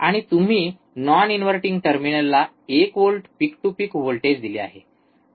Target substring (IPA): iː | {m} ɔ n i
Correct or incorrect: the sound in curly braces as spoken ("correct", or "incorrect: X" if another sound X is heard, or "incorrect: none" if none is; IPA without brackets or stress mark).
incorrect: n